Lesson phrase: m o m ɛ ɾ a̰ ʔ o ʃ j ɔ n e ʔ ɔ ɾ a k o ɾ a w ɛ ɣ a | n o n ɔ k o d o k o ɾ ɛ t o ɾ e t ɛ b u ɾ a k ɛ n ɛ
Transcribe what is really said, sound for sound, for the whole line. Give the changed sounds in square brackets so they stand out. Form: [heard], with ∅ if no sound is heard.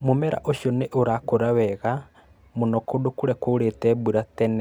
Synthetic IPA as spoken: m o m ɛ ɾ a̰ ʔ o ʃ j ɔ n e ʔ [o] ɾ a k o ɾ a w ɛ ɣ a | [m] o n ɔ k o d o k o ɾ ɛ [k] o ɾ e t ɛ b u ɾ a [t] ɛ n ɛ